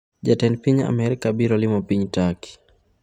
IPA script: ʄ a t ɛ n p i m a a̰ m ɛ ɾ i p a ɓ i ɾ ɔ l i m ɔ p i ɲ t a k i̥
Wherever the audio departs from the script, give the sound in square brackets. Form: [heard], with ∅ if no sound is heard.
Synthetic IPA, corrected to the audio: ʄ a t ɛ n p i [ɲ] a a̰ m ɛ ɾ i [k] a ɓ i ɾ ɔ l i m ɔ p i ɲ t a k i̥